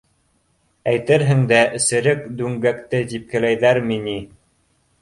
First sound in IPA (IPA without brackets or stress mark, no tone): æ